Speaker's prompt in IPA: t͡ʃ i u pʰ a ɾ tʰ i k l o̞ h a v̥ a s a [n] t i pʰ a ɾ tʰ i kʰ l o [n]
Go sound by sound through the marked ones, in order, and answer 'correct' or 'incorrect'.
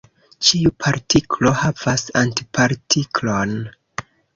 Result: correct, correct

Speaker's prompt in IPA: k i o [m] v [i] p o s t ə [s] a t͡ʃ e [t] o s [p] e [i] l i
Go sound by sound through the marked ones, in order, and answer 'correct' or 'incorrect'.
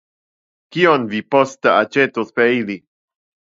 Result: incorrect, correct, incorrect, correct, correct, correct

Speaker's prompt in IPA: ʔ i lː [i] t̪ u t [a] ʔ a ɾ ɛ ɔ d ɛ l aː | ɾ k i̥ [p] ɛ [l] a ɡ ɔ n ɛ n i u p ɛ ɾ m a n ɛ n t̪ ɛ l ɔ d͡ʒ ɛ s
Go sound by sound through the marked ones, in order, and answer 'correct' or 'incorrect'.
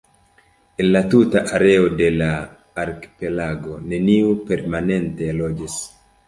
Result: incorrect, correct, correct, correct

